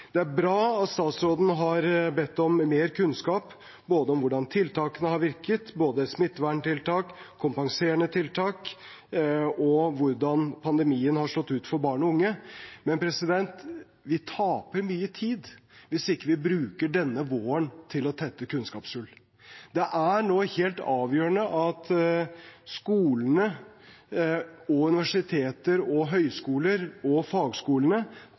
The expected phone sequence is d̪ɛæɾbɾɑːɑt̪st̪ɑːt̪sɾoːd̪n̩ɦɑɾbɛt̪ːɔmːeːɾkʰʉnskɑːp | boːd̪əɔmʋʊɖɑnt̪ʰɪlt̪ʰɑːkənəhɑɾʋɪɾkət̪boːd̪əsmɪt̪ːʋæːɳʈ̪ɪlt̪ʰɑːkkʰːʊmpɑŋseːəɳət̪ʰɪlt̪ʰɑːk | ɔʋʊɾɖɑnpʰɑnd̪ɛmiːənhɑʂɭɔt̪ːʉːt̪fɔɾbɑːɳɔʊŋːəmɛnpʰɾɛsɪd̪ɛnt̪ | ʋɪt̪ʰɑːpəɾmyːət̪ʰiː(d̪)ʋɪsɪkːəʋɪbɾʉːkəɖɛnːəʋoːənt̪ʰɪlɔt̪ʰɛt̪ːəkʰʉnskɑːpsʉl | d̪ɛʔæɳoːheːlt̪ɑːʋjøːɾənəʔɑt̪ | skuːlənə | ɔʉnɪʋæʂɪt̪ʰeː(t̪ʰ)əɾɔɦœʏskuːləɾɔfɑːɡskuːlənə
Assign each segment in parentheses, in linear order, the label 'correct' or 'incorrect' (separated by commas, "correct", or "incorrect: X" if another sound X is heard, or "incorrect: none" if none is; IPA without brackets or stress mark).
correct, incorrect: t̪